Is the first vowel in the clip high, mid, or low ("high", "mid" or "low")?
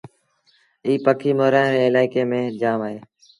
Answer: high